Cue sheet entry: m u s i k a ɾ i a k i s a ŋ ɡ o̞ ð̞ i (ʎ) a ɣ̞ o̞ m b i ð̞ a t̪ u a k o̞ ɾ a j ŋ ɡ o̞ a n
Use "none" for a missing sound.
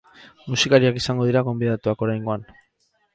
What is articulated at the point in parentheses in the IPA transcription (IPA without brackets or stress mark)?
ɾ